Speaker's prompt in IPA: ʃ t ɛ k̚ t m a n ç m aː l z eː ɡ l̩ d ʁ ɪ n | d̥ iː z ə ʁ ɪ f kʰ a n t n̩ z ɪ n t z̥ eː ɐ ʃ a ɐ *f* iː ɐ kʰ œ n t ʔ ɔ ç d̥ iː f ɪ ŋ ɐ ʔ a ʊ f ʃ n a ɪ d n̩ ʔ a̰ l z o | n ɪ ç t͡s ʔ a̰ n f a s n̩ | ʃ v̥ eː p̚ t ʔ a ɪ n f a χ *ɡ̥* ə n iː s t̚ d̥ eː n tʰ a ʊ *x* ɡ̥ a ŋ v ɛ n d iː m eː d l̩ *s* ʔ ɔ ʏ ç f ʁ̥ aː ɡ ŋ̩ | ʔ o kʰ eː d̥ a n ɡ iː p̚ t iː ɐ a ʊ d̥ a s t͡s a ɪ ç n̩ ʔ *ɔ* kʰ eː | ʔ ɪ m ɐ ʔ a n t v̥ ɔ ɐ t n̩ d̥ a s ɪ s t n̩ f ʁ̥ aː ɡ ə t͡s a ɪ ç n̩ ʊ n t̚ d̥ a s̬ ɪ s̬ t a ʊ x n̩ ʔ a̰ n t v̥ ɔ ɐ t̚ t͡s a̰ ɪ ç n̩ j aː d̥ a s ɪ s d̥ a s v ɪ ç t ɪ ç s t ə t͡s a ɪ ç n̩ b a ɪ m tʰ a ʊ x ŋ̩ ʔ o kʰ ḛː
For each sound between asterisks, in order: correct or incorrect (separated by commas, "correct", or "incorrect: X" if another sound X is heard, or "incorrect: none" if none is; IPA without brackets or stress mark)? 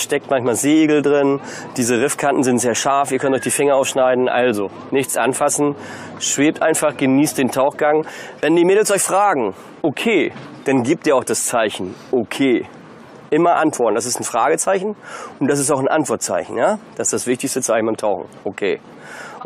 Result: correct, correct, correct, correct, incorrect: o